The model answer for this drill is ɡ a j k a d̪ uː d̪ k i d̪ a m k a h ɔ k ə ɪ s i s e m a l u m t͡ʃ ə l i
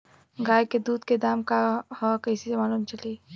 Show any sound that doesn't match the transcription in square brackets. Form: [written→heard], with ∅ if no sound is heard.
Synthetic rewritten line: ɡ a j k [a→e] d̪ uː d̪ k [i→e] d̪ a m k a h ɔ k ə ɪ s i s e m a l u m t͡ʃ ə l i

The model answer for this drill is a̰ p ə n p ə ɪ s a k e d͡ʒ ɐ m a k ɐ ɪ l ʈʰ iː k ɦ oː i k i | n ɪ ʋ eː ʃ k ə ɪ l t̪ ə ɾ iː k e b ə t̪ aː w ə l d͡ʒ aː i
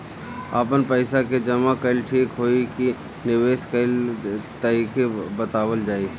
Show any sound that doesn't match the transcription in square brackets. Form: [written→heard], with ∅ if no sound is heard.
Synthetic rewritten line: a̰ p ə n p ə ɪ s a k e d͡ʒ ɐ m a k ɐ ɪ l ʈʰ iː k ɦ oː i k i | n ɪ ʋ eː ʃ k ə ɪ l t̪ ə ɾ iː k e b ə t̪ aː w ə l d͡ʒ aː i

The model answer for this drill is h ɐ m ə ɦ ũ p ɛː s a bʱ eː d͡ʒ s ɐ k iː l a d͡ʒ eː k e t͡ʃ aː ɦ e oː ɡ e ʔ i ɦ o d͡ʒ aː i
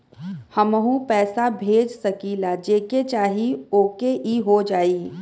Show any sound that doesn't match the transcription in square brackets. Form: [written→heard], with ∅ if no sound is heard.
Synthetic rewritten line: h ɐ m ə ɦ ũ p ɛː s a bʱ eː d͡ʒ s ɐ k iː l a d͡ʒ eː k e t͡ʃ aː ɦ [e→i] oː [ɡ→k] e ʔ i ɦ o d͡ʒ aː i

